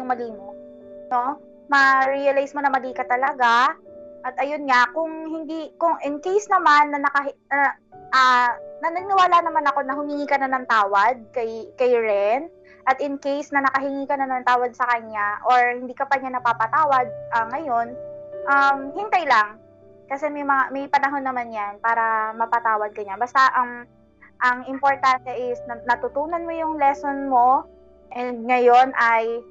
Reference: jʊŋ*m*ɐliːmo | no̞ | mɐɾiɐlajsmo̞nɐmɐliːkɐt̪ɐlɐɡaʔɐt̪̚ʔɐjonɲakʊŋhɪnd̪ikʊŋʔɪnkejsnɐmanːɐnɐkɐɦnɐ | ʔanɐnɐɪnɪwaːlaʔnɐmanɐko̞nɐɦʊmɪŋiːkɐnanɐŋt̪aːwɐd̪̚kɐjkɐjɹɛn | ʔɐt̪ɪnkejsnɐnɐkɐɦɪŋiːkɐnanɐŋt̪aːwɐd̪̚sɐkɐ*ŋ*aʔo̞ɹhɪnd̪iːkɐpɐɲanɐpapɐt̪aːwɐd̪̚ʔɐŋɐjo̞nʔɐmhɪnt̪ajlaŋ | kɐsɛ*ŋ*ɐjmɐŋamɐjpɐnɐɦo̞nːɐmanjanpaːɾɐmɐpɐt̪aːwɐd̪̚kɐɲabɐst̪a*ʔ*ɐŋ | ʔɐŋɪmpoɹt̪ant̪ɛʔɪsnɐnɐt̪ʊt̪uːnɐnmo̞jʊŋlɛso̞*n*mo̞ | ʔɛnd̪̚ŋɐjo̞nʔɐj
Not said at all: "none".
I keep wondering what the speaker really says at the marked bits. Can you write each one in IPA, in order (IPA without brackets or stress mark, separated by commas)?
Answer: m, ɲ, m, ʔ, n